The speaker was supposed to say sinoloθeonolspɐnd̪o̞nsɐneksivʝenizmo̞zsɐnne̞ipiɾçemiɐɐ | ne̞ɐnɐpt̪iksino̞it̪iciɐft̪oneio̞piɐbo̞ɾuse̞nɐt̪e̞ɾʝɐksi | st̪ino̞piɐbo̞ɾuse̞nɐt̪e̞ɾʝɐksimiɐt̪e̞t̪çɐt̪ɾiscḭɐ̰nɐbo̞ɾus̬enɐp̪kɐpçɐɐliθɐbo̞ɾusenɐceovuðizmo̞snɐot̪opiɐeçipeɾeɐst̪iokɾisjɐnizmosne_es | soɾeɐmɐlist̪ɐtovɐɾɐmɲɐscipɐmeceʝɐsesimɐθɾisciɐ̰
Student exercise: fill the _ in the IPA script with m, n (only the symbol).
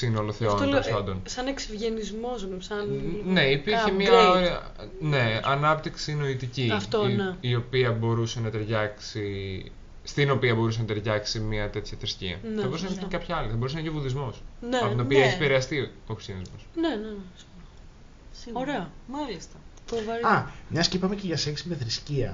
n